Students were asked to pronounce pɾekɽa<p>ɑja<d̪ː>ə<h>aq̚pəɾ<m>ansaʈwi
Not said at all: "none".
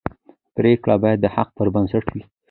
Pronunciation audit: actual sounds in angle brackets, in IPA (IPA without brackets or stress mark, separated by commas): b, d̪ː, h, b